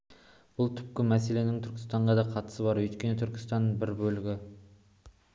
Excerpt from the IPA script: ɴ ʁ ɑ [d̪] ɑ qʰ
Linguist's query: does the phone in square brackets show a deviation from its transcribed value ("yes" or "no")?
no